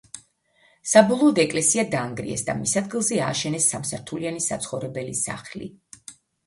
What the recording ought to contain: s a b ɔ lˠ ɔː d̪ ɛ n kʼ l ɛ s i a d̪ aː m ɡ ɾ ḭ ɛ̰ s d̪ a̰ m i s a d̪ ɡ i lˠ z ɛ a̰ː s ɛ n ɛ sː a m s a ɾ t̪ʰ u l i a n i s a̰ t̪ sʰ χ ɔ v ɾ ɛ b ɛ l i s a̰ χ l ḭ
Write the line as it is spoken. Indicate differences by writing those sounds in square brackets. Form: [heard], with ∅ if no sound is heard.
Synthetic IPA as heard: s a b ɔ lˠ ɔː d̪ ɛ [∅] kʼ l ɛ s i a d̪ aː [ŋ] ɡ ɾ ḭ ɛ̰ s d̪ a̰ m i s a d̪ ɡ i lˠ z ɛ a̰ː [ʃ] ɛ n ɛ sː a m s a ɾ t̪ʰ u l i a n i s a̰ t̪ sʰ χ ɔ v ɾ ɛ b ɛ l i s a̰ χ l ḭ

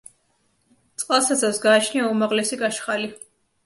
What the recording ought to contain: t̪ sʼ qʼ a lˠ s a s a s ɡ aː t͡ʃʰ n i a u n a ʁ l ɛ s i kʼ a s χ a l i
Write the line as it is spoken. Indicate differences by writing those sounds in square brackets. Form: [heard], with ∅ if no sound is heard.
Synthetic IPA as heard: t̪ sʼ qʼ a lˠ s a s a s ɡ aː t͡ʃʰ n i a u [m] a ʁ l ɛ s i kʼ a [ʃ] χ a l i

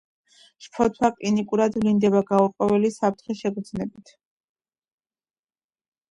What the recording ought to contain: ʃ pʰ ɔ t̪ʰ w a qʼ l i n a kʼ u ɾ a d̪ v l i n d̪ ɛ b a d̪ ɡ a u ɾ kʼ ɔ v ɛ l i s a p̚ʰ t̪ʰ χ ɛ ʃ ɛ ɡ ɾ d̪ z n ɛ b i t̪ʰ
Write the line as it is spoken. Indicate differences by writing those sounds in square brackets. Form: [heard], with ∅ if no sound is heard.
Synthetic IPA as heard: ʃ pʰ ɔ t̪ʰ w a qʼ l i n [i] kʼ u ɾ a d̪ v l i n d̪ ɛ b a [∅] ɡ a u ɾ [qʼ] ɔ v ɛ l i s a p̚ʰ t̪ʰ χ ɛ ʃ ɛ ɡ ɾ d̪ z n ɛ b i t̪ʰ

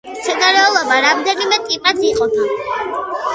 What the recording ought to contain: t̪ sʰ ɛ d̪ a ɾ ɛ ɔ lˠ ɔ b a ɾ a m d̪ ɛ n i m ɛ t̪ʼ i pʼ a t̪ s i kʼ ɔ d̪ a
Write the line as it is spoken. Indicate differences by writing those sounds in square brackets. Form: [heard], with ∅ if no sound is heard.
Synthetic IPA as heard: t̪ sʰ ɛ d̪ a ɾ ɛ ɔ lˠ ɔ b a ɾ a m d̪ ɛ n i m ɛ t̪ʼ i pʼ a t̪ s i [qʼ] ɔ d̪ a

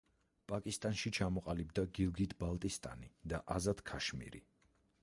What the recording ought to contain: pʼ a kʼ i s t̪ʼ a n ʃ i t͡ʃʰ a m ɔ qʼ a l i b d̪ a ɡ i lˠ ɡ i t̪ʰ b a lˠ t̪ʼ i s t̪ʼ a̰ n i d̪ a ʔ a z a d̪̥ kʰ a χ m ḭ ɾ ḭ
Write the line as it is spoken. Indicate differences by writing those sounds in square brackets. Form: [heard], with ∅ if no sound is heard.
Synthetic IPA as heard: pʼ a kʼ i s t̪ʼ a n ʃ i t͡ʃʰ a m ɔ qʼ a l i b d̪ a ɡ i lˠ ɡ i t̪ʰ b a lˠ t̪ʼ i s t̪ʼ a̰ n i d̪ a ʔ a z a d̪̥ kʰ a [ʃ] m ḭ ɾ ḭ

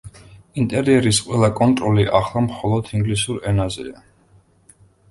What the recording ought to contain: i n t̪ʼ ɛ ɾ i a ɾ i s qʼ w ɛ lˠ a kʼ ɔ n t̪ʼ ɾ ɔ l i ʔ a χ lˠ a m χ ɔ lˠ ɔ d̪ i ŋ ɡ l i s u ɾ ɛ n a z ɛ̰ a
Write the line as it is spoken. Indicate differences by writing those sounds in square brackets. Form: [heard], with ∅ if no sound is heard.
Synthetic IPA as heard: i n t̪ʼ ɛ ɾ i [ɛ] ɾ i s qʼ w ɛ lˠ a kʼ ɔ n t̪ʼ ɾ ɔ l i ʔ a χ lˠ a m χ ɔ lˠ ɔ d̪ i ŋ ɡ l i s u ɾ ɛ n a z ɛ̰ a

